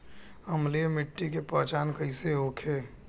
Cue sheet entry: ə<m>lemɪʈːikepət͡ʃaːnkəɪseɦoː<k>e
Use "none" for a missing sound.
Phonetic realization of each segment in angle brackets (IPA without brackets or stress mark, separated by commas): m, kʰ